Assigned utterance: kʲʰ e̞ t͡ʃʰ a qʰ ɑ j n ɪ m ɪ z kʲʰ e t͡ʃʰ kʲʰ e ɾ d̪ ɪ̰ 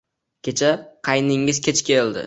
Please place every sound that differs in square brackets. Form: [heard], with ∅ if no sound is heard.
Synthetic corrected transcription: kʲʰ e̞ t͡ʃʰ a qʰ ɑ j n ɪ [ŋ] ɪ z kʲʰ e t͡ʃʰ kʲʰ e [l] d̪ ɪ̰